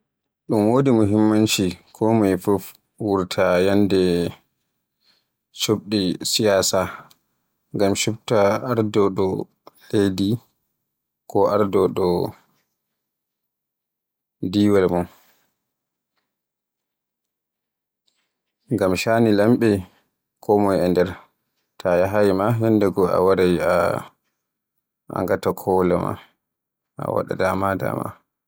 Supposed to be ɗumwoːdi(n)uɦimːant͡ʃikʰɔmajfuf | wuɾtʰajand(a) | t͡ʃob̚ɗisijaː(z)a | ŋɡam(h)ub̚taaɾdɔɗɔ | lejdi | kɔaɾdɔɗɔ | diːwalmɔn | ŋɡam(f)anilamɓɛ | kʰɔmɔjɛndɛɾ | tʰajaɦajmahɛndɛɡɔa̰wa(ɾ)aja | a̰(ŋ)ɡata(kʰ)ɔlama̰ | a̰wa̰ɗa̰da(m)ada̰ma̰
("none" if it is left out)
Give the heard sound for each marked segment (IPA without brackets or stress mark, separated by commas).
m, ɛ, s, ʃ, ʃ, ɾ, ŋ, kʰ, m